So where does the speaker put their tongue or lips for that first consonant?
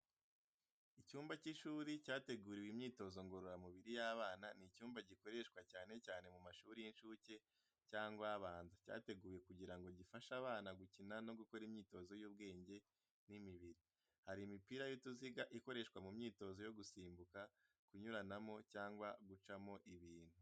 palate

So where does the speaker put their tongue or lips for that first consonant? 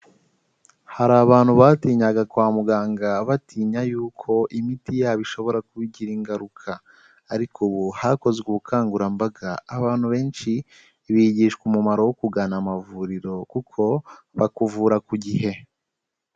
throat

